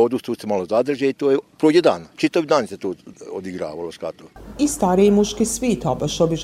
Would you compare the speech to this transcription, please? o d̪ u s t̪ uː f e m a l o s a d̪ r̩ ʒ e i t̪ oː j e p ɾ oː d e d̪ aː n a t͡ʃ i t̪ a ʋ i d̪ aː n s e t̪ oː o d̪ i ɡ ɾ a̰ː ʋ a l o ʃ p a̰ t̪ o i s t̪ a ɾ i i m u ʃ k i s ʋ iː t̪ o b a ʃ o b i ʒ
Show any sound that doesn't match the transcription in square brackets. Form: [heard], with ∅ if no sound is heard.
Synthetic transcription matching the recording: o d̪ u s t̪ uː [s] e m a l o [z] a d̪ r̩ ʒ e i t̪ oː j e p ɾ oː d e d̪ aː n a t͡ʃ i t̪ a ʋ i d̪ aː n s e t̪ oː o d̪ i ɡ ɾ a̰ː ʋ a l o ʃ [k] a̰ t̪ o i s t̪ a ɾ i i m u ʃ k i s ʋ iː t̪ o b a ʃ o b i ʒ